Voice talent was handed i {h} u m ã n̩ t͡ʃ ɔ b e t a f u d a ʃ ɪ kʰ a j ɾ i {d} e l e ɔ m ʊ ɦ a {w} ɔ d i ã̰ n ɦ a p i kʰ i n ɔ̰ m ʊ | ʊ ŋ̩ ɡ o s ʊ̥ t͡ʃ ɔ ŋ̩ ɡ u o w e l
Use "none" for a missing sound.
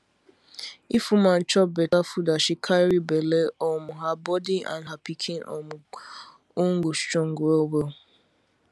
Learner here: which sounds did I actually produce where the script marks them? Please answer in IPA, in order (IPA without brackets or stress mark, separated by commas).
f, b, b